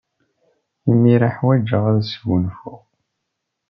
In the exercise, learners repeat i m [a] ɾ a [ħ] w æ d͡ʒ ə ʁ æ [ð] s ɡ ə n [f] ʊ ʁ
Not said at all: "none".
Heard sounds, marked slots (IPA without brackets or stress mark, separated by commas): i, ħ, ð, f